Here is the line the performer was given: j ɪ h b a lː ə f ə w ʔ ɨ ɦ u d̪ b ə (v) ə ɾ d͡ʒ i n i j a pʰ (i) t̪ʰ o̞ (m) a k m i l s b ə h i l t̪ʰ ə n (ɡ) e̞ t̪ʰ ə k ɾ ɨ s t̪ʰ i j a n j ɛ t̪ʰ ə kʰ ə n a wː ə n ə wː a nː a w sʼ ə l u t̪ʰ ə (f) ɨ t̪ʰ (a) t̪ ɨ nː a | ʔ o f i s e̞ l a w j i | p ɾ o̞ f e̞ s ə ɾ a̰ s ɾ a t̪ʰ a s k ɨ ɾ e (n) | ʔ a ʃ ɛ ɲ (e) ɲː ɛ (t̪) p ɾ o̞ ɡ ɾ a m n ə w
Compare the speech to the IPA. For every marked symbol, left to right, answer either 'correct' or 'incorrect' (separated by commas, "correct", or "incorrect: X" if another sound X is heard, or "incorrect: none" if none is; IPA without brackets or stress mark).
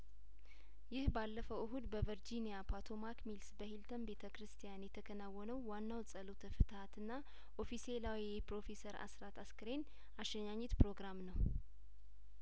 correct, incorrect: a, correct, incorrect: b, correct, correct, correct, incorrect: a, correct